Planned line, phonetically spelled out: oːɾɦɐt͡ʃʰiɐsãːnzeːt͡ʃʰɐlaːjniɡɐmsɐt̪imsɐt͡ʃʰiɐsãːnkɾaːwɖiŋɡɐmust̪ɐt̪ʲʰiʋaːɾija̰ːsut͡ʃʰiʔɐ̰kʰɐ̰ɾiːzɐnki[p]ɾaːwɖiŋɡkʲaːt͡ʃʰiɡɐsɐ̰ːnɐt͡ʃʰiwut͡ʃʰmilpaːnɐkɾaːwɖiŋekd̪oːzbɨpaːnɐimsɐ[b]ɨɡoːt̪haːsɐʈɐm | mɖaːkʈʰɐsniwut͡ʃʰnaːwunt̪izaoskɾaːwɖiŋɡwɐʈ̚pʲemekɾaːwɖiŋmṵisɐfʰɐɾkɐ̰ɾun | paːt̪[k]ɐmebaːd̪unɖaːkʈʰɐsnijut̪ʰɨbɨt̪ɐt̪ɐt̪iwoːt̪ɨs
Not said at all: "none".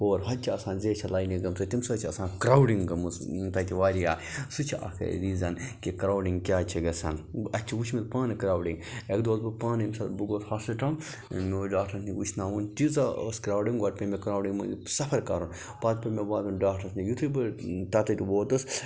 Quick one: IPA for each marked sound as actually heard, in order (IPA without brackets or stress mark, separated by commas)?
k, b, p